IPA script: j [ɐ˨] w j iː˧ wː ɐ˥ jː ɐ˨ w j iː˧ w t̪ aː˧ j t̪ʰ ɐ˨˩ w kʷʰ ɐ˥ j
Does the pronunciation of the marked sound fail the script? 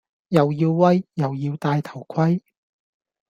no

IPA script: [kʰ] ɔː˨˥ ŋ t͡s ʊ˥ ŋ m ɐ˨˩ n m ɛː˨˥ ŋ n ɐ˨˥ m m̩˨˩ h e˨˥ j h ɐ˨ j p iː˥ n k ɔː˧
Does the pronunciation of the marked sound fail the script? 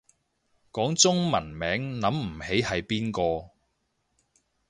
yes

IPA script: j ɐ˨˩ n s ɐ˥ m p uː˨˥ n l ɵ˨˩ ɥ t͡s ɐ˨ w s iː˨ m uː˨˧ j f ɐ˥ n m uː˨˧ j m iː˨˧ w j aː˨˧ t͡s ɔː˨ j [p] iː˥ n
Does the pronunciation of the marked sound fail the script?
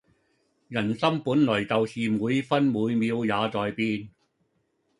no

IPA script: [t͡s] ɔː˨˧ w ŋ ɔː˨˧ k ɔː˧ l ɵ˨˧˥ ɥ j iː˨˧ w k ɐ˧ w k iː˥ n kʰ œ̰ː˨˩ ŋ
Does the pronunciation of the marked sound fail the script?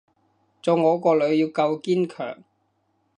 no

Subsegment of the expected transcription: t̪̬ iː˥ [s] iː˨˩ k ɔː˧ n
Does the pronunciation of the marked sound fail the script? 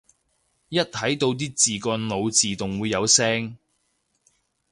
yes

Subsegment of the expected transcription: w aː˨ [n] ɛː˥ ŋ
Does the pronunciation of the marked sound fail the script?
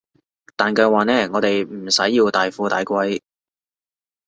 no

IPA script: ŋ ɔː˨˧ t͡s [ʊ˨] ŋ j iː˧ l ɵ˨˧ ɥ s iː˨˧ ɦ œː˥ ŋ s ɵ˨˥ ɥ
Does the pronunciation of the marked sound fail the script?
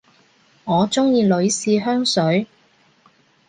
yes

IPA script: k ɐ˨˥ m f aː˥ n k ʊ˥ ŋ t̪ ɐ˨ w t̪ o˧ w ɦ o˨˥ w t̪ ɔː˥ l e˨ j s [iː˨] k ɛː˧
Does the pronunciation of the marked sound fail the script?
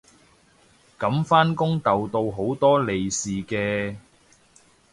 no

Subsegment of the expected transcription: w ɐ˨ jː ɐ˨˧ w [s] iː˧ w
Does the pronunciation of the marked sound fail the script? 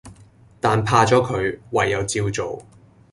yes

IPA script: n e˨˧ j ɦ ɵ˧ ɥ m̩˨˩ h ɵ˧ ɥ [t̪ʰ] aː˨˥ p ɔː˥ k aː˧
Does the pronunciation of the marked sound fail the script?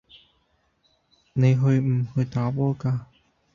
yes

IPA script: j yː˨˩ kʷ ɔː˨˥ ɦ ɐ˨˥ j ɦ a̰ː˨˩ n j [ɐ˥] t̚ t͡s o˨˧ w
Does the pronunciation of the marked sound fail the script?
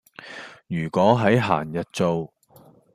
yes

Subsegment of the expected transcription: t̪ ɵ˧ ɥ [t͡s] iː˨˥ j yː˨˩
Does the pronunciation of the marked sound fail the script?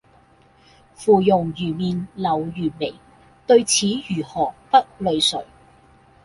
yes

